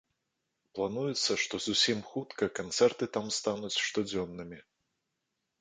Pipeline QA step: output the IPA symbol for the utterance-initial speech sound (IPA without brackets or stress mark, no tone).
p